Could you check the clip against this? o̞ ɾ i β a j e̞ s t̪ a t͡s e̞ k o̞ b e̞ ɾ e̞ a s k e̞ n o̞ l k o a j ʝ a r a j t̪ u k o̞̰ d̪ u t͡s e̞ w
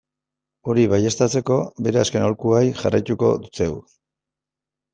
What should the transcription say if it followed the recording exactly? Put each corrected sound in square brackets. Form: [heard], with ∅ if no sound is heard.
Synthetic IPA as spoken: o̞ ɾ i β a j e̞ s t̪ a t͡s e̞ k o̞ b e̞ ɾ e̞ a s k e̞ n o̞ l k [u] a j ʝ a r a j t̪ u k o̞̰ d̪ u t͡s e̞ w